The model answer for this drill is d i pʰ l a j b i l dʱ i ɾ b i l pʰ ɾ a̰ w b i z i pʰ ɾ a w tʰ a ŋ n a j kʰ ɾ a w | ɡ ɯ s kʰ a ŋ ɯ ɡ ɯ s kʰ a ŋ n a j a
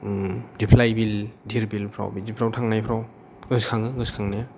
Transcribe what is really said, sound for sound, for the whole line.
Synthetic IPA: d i pʰ l a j b i l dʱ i ɾ b i l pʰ ɾ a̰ w b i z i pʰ ɾ a w tʰ a ŋ n a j pʰ ɾ a w | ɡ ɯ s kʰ a ŋ ɯ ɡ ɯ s kʰ a ŋ n a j a